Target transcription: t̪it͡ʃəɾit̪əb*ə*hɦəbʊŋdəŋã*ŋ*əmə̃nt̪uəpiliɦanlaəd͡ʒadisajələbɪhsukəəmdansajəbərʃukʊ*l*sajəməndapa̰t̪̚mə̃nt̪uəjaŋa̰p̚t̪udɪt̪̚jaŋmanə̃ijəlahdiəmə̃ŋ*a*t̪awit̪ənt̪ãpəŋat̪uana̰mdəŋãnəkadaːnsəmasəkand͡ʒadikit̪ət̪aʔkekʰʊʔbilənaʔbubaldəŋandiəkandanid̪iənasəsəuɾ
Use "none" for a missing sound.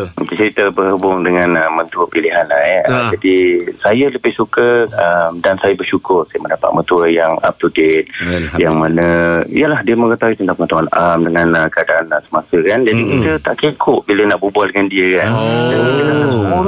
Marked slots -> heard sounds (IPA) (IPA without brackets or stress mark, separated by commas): ə, n, r, ə